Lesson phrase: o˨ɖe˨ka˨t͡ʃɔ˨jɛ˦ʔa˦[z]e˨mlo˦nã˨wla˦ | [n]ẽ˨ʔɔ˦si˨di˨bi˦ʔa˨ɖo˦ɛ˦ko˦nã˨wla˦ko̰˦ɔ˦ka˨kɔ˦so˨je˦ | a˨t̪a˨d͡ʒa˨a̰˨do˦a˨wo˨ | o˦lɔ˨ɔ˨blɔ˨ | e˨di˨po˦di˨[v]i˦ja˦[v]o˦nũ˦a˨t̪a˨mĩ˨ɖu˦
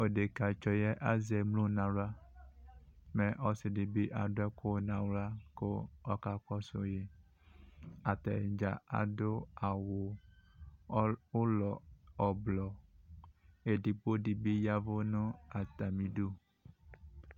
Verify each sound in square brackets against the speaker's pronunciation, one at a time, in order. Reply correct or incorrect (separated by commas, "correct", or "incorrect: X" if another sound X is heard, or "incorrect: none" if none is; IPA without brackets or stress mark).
correct, incorrect: m, incorrect: b, correct